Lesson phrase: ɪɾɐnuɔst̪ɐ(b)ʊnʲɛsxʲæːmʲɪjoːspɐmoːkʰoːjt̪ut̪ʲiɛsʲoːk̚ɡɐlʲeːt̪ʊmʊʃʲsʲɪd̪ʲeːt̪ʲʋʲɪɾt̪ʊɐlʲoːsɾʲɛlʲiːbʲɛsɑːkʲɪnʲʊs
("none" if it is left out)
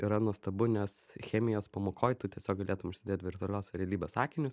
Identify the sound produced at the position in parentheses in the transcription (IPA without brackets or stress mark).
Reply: b